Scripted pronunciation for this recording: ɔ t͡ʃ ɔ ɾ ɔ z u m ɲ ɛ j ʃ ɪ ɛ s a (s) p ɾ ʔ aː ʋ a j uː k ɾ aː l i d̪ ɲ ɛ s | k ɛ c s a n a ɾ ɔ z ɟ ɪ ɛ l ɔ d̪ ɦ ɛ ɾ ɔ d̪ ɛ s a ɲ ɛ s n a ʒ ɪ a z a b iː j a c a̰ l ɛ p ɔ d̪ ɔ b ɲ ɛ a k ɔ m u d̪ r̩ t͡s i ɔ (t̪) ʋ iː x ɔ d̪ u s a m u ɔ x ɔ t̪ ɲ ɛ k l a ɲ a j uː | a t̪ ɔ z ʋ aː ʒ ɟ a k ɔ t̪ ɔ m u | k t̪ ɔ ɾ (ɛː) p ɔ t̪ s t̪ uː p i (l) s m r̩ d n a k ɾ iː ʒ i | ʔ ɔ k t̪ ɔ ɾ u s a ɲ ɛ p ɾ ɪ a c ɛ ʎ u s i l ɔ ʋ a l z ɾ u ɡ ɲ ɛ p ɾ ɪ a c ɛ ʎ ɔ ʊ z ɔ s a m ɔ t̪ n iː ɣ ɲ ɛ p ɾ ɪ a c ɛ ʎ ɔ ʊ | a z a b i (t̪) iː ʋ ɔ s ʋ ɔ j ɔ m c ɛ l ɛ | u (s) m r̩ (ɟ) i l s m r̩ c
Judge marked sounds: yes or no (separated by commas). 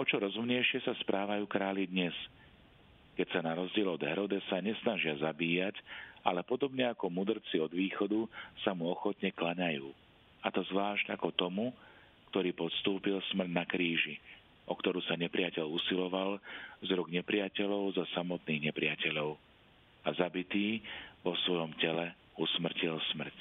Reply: yes, no, no, yes, yes, yes, no